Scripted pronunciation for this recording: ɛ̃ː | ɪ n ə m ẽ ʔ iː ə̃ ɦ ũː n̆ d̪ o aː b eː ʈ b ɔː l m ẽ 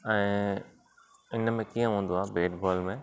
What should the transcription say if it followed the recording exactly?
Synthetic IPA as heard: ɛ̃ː | ɪ n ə m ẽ k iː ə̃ ɦ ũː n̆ d̪ o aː b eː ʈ b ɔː l m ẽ